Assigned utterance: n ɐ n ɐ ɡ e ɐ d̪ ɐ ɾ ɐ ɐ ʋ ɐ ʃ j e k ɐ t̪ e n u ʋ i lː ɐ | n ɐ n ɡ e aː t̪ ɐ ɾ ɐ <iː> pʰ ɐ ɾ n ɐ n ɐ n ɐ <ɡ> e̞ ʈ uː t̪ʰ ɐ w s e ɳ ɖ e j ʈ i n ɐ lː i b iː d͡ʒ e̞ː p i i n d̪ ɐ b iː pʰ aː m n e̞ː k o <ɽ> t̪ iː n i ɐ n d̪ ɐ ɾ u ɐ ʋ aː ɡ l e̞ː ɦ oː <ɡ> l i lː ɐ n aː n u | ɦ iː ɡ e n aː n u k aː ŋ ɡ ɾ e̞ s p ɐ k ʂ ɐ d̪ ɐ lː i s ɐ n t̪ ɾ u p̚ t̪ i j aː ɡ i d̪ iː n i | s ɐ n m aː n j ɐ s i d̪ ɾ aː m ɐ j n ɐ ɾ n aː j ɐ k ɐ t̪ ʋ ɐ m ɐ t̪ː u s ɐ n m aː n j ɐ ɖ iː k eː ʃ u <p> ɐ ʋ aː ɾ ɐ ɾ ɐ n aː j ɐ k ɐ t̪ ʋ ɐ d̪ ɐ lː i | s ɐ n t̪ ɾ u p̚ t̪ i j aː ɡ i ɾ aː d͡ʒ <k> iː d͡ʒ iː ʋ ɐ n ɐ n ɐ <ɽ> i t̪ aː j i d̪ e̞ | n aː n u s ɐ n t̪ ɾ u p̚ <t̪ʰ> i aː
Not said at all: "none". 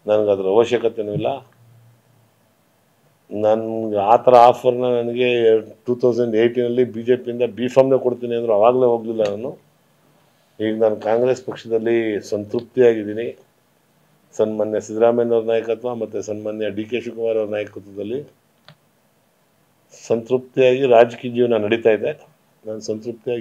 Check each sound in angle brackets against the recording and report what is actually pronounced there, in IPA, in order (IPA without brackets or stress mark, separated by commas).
aː, ɡ, ɽ, ɡ, k, k, ɽ, t̪